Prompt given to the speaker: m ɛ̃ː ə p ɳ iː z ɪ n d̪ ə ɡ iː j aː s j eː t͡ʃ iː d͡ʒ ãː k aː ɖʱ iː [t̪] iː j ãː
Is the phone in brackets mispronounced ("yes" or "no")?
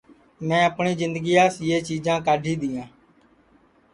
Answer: yes